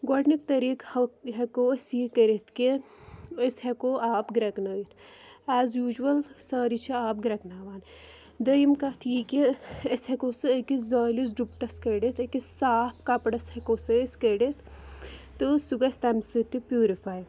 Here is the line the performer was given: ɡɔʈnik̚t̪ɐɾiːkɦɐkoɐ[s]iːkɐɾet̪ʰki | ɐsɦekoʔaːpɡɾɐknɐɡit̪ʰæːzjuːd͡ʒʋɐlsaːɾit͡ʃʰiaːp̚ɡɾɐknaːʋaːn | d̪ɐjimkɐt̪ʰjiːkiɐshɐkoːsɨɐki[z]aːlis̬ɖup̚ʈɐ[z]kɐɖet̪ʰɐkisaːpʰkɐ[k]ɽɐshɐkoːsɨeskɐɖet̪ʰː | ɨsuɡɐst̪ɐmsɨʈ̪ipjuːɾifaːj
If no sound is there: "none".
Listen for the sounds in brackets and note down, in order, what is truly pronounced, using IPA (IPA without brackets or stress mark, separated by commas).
s, z, s, p